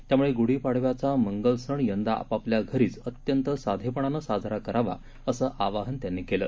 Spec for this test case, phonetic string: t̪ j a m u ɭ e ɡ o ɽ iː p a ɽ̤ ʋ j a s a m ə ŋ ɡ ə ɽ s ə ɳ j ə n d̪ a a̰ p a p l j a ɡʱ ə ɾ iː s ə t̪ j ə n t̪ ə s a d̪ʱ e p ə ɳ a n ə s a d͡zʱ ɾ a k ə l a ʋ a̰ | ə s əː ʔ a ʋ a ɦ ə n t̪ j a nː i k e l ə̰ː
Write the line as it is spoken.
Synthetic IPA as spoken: t̪ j a m u ɭ e ɡ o ɽ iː p a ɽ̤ ʋ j a t͡s a m ə ŋ ɡ ə l s ə ɳ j ə n d̪ a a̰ p a p l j a ɡʱ ə ɾ iː t͡s ə t̪ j ə n t̪ ə s a d̪ʱ e p ə ɳ a n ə s a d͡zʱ ɾ a k ə ɾ a ʋ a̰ | ə s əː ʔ a ʋ a ɦ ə n t̪ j a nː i k e l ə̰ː